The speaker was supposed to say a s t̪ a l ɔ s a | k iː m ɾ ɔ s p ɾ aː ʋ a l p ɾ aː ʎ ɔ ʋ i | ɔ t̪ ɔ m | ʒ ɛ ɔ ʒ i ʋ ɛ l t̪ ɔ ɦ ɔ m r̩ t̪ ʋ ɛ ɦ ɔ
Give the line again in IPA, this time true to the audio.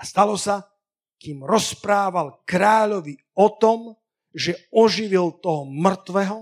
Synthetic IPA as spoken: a s t̪ a l ɔ s a | k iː m ɾ ɔ s p ɾ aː ʋ a l k ɾ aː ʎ ɔ ʋ i | ɔ t̪ ɔ m | ʒ ɛ ɔ ʒ i ʋ i l t̪ ɔ ɦ ɔ m r̩ t̪ ʋ ɛ ɦ ɔ